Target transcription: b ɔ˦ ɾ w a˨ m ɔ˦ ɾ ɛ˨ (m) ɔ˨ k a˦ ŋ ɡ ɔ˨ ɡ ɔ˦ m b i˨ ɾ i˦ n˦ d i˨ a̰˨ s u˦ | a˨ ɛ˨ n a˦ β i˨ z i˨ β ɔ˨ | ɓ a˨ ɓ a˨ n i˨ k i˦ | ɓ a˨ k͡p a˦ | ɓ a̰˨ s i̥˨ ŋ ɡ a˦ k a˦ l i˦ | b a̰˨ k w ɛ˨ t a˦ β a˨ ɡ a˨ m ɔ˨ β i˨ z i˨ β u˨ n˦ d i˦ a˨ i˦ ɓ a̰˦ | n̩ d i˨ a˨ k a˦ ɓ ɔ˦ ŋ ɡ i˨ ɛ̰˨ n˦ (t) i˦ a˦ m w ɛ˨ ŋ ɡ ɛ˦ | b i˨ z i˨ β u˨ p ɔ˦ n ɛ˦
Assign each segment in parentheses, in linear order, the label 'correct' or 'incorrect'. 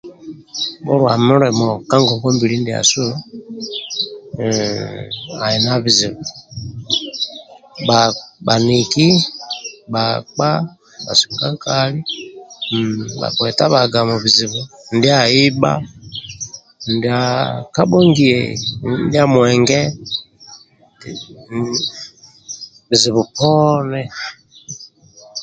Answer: correct, incorrect: d

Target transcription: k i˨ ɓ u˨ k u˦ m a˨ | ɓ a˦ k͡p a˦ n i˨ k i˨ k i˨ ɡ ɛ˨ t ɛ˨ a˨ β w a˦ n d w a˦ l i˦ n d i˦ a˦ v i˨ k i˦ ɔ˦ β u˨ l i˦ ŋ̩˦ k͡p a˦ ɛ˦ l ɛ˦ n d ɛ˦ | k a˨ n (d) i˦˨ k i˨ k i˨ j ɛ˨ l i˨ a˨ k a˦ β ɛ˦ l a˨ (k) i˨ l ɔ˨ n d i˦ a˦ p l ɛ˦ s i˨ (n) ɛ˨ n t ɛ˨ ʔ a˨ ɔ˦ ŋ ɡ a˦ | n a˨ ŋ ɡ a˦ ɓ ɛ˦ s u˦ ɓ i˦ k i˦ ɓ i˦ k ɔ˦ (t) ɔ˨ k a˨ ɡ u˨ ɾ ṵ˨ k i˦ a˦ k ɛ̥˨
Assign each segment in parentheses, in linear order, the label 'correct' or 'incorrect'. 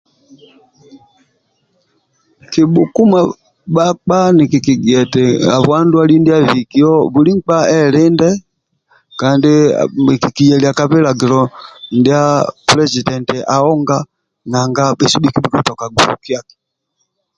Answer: correct, incorrect: ɡ, incorrect: d, correct

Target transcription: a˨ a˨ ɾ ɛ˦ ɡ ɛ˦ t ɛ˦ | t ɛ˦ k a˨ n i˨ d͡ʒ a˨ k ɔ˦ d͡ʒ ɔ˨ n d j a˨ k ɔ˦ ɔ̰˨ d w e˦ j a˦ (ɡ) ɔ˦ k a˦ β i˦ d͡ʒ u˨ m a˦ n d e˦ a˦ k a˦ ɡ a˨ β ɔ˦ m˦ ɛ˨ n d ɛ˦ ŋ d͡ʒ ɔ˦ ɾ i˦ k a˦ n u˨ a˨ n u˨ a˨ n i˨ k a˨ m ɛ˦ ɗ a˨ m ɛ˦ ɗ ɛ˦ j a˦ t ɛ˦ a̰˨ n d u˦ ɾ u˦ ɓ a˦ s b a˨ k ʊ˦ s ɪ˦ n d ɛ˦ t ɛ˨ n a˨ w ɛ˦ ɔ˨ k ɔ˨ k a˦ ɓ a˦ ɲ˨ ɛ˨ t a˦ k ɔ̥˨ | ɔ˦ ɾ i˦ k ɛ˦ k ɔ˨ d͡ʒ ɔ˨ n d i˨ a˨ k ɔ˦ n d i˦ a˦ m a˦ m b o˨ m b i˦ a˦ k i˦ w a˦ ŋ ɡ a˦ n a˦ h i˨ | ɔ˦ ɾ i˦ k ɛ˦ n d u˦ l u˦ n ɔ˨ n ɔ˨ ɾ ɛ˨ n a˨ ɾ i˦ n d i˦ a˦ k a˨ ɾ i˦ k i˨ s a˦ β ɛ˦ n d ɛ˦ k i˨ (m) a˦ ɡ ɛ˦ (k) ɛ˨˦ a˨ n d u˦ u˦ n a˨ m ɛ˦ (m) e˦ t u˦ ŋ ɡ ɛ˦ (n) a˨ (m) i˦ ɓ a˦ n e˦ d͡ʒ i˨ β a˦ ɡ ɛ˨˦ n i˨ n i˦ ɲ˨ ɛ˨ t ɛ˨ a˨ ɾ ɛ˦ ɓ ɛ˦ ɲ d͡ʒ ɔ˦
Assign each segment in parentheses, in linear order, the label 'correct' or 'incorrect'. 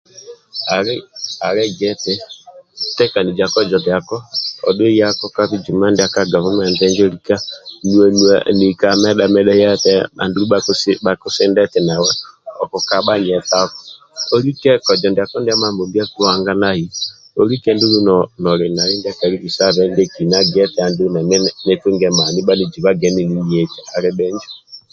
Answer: incorrect: k, incorrect: n, incorrect: t, incorrect: n, incorrect: m, incorrect: n

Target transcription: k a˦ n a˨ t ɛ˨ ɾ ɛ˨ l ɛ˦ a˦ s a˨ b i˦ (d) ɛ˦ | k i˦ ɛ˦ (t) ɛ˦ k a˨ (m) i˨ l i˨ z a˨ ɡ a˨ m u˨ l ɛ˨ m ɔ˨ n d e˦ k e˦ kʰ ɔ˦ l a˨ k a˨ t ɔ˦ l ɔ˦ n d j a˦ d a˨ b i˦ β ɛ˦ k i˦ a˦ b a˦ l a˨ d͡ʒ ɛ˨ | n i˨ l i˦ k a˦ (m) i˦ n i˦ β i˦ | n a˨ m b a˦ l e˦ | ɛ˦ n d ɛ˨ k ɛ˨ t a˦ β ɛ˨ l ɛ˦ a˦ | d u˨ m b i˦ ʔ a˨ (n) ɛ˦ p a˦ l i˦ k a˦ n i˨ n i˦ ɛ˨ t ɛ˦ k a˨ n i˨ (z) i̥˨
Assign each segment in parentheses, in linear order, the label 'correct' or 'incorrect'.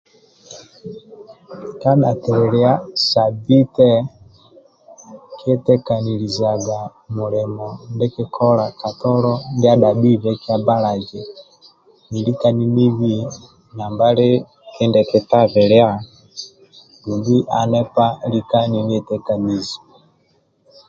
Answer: incorrect: t, correct, incorrect: n, incorrect: n, correct, correct

